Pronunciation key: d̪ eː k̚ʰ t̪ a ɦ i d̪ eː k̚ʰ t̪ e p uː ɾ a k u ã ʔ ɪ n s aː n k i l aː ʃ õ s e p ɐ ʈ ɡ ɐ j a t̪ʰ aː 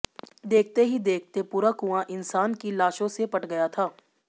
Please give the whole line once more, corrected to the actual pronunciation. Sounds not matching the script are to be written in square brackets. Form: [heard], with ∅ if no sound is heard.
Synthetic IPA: d̪ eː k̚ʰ t̪ [e] ɦ i d̪ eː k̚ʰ t̪ e p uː ɾ a k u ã ʔ ɪ n s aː n k i l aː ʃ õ s e p ɐ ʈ ɡ ɐ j a t̪ʰ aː